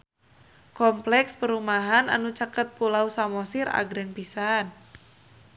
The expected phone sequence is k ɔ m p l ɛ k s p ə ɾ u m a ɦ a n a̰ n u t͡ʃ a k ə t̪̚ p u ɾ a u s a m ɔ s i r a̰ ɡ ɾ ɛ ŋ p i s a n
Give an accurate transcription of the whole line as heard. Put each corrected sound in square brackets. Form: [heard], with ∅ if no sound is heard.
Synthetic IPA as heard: k ɔ m p l ɛ k s p ə ɾ u m a ɦ a n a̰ n u t͡ʃ a k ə t̪̚ p u [l] a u s a m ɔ s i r a̰ ɡ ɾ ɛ ŋ p i s a n